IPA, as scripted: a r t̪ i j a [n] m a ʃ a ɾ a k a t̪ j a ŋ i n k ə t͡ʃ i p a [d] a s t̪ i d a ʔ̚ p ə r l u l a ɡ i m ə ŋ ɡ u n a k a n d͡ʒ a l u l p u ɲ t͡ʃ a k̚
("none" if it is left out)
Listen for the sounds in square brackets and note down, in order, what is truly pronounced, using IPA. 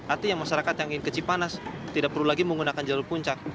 ŋ, n

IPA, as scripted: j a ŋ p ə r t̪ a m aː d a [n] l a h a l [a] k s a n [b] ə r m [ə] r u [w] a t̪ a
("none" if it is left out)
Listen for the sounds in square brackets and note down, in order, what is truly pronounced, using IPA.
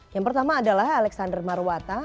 none, ɛ, d, a, w

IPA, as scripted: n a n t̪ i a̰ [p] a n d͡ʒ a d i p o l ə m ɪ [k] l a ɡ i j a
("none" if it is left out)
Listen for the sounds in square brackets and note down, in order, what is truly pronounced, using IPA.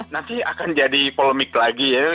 k, k

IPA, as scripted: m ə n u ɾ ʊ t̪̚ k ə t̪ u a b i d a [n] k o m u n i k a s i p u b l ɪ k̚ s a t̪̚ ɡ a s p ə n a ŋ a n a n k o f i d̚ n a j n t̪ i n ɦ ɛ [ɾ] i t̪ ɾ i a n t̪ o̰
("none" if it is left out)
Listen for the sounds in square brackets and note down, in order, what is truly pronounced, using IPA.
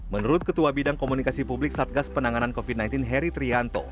ŋ, ɾ

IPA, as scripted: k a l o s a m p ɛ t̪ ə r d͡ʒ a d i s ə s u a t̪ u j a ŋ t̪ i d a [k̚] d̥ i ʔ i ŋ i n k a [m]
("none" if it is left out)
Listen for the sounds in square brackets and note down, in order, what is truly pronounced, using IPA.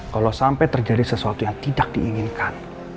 k̚, n

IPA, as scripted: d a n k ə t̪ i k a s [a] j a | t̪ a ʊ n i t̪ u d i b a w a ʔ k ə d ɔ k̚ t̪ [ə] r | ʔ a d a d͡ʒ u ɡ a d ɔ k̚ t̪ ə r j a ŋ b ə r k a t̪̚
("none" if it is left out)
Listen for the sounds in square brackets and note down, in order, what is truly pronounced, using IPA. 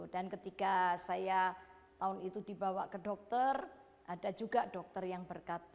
a, ə

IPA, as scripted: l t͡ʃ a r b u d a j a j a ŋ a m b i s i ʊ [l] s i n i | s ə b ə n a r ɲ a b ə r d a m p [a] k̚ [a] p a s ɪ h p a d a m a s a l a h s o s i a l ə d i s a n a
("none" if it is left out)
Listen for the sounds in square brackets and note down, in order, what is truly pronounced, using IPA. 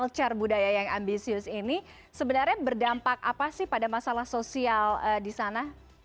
none, a, a

